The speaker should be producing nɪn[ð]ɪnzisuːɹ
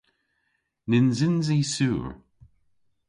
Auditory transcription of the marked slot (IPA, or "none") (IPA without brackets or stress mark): z